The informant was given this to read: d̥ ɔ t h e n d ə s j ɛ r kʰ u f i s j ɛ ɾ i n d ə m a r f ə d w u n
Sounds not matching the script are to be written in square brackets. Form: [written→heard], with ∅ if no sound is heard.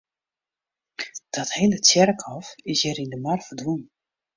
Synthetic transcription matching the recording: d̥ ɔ t h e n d ə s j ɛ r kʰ [u→ɔ] f [i→ɪ] s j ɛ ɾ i n d ə m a r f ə d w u n